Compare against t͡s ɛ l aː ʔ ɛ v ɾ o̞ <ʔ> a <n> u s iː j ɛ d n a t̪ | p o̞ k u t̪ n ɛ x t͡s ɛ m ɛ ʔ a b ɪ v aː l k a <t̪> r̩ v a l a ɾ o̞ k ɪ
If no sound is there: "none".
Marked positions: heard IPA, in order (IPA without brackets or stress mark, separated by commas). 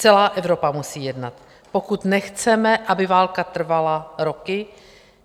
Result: p, m, t̪